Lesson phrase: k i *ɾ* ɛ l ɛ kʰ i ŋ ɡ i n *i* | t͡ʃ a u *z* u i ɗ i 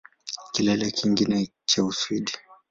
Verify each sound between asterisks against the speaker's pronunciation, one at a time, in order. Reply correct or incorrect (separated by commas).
incorrect, incorrect, incorrect